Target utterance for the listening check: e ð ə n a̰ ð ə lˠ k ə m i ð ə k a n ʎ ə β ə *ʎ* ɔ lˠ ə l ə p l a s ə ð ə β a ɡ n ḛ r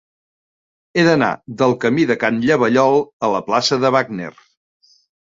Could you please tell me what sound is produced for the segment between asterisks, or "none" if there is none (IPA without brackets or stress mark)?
ʎ